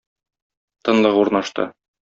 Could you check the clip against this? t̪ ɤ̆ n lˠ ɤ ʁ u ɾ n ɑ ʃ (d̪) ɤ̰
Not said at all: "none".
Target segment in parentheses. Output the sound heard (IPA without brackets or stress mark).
t̪